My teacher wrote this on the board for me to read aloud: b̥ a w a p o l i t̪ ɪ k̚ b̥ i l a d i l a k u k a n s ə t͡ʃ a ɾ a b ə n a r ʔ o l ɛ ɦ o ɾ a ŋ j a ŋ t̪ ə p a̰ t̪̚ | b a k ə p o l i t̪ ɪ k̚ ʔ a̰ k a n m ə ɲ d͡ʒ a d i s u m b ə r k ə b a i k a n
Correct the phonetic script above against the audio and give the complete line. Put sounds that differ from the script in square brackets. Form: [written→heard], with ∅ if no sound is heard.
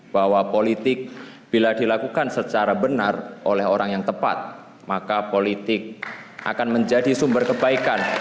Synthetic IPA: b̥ a w a p o l i t̪ ɪ k̚ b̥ i l a d i l a k u k a n s ə t͡ʃ a ɾ a b ə n a r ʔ o l ɛ ɦ o ɾ a ŋ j a ŋ t̪ ə p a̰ t̪̚ | [b→m] a k [ə→a] p o l i t̪ ɪ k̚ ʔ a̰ k a n m ə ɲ d͡ʒ a d i s u m b ə r k ə b a i k a n